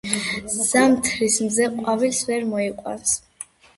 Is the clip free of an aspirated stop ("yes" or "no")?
no